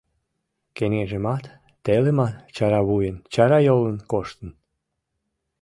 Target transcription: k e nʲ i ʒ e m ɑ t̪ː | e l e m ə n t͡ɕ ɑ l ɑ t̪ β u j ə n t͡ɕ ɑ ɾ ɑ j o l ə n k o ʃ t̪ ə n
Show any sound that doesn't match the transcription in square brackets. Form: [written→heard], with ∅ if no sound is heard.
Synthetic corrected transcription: k e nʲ [i→e] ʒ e m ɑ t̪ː | e l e m [ə→ɑ] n t͡ɕ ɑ [l→ɾ] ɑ [t̪→∅] β u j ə n t͡ɕ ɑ ɾ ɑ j o l ə n k o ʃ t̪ ə n

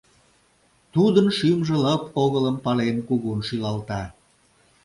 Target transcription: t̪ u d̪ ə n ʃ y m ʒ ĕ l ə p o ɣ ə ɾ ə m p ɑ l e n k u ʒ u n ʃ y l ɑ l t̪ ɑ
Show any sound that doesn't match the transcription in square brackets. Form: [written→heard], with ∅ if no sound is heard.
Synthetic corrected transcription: t̪ u d̪ ə n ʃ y m ʒ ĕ l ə p o ɣ ə [ɾ→l] ə m p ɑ l e n k u [ʒ→ɣ] u n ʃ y l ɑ l t̪ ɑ

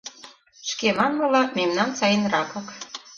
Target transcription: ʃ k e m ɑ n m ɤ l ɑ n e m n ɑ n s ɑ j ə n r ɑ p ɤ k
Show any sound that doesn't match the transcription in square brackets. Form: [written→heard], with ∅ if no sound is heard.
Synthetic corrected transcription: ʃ k e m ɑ n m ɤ l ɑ [n→m] e m n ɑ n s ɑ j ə n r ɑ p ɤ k

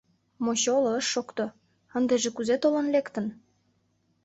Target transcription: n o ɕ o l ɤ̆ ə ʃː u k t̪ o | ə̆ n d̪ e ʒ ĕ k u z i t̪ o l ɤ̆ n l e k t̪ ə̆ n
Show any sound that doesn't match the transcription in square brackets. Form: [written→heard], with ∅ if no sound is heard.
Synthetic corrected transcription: [n→m] o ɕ o l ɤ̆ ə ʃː [u→o] k t̪ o | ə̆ n d̪ e ʒ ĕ k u z [i→e] t̪ o l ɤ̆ n l e k t̪ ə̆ n

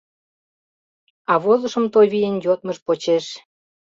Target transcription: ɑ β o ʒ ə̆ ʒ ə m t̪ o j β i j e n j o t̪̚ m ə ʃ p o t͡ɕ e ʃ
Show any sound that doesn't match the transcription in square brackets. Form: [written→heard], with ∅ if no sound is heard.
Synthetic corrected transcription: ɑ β o [ʒ→z] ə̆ [ʒ→ʃ] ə m t̪ o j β i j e n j o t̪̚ m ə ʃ p o t͡ɕ e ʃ

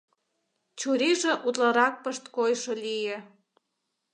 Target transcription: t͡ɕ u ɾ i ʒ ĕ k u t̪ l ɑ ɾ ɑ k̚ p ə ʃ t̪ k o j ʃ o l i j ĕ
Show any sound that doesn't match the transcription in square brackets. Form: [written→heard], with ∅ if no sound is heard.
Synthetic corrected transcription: t͡ɕ u ɾ i ʒ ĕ [k→ʔ] u t̪ l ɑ ɾ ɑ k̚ p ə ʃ t̪ k o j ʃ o l i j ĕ

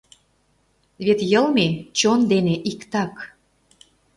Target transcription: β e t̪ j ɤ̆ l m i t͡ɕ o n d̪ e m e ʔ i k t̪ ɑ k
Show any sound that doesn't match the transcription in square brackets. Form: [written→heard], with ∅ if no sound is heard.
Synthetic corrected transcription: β e t̪ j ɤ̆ l m [i→e] t͡ɕ o n d̪ e [m→n] e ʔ i k t̪ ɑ k

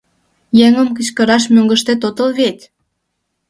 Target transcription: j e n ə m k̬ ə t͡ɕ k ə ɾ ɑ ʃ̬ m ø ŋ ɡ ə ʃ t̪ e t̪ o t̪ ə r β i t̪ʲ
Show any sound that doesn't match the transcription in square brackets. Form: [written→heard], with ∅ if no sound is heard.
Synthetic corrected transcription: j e [n→ŋ] ə m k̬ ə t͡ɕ k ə ɾ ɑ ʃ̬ m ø ŋ ɡ ə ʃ t̪ e t̪ o t̪ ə [r→l] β [i→e] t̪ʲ

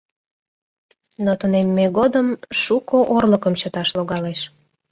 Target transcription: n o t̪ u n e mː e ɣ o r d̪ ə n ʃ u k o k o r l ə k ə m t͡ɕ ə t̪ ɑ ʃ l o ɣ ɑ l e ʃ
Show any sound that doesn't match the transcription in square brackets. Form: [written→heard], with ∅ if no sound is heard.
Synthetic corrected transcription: n o t̪ u n e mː e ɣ o [r→∅] d̪ ə [n→m] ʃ u k o [k→ʔ] o r l ə k ə m t͡ɕ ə t̪ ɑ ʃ l o ɣ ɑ l e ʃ

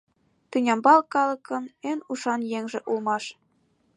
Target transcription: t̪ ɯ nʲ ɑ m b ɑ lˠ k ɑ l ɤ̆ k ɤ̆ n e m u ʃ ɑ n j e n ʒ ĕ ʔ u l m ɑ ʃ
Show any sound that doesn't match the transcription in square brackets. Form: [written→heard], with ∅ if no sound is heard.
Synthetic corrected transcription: t̪ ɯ nʲ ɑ m b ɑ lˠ k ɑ l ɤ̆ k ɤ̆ n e [m→n] u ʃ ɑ n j e [n→ŋ] ʒ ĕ ʔ u l m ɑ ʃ

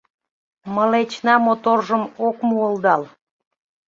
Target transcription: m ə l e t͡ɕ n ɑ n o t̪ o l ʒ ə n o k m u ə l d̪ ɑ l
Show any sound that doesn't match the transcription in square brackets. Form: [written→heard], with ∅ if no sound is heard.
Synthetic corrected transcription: m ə l e t͡ɕ n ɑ [n→m] o t̪ o [l→r] ʒ ə [n→m] o k m u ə l d̪ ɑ l

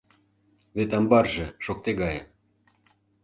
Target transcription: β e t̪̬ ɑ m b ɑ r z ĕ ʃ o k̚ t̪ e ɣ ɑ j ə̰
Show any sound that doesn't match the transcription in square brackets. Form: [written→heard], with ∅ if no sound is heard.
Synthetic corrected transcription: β e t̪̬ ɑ m b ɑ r [z→ʒ] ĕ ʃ o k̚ t̪ e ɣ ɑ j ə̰

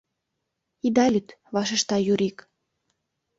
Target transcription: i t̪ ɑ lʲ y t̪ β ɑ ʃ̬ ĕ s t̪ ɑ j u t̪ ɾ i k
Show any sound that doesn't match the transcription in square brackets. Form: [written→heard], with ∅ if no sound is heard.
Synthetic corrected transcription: i [t̪→d̪] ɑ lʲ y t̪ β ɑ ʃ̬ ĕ [s→ʃ] t̪ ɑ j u [t̪→∅] ɾ i k

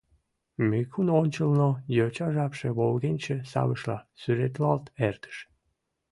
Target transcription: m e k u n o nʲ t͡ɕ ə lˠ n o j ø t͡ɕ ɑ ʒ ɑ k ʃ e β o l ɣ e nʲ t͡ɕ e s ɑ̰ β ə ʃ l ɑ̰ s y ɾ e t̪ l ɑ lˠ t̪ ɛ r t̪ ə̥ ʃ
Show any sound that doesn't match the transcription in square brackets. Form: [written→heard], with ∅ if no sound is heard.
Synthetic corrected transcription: m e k u n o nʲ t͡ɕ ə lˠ n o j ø t͡ɕ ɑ ʒ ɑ [k→p] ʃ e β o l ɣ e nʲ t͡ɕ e s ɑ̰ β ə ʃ l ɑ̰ s y ɾ e t̪ l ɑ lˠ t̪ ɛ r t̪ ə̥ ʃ

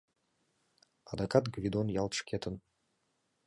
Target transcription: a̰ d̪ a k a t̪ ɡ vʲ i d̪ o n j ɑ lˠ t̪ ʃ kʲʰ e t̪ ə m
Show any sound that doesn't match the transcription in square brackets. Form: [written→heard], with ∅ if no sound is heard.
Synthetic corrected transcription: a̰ d̪ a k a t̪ ɡ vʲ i d̪ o n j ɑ lˠ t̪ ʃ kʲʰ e t̪ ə [m→n]

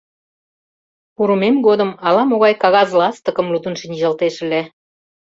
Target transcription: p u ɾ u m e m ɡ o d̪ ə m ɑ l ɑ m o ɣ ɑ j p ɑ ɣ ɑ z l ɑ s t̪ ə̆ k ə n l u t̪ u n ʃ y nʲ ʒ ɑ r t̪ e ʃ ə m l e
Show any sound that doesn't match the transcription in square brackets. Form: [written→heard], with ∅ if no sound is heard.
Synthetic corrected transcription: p u ɾ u m e m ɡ o d̪ ə m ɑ l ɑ m o ɣ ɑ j [p→k] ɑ ɣ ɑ z l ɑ s t̪ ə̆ k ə [n→m] l u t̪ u n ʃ [y→i] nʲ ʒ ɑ [r→l] t̪ e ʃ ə [m→∅] l e

